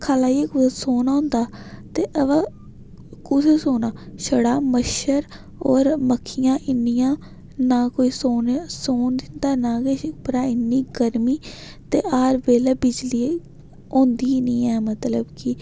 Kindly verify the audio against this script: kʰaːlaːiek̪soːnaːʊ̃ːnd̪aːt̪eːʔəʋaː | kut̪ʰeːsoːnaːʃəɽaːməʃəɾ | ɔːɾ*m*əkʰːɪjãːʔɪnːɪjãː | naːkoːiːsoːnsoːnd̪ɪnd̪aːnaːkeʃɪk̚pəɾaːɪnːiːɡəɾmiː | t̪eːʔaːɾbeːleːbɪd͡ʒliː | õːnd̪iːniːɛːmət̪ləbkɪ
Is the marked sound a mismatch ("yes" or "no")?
no